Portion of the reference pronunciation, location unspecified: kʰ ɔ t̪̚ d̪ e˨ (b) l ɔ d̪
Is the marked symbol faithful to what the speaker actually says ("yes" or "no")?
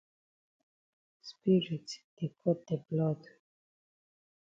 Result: yes